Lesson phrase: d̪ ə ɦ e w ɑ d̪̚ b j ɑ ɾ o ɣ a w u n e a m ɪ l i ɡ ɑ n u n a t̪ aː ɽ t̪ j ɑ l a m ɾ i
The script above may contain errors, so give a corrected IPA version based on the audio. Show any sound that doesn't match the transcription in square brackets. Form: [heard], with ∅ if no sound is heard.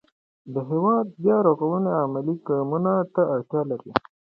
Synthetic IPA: d̪ ə ɦ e w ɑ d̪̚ b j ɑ ɾ o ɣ a w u n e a m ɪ l i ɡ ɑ [m] u n a t̪ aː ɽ t̪ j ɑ l a [∅] ɾ i